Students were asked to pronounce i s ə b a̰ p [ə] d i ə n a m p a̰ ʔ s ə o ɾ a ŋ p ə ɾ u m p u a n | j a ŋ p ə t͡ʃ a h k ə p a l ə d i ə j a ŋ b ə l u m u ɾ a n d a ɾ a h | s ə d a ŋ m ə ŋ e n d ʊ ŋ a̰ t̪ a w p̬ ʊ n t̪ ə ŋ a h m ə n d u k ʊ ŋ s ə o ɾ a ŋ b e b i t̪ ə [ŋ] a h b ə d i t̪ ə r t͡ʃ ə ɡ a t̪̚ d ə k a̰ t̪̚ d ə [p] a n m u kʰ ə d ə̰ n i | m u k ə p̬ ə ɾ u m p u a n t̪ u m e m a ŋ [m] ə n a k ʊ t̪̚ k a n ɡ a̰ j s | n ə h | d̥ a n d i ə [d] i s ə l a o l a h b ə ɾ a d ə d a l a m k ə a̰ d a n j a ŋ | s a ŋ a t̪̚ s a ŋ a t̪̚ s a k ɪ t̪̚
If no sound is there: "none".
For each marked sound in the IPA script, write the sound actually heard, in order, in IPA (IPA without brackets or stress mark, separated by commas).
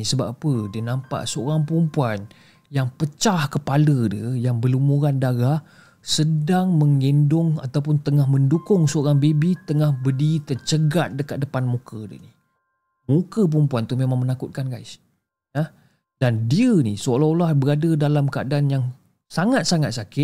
ə, ŋ, p, m, n